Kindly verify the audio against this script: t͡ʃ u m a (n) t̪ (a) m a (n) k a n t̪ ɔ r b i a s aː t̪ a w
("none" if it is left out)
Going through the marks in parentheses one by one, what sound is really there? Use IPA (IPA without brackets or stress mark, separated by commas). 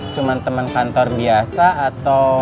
n, ə, n